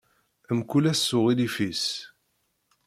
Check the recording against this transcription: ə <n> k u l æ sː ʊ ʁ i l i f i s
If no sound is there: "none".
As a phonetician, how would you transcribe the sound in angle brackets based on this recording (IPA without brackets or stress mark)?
m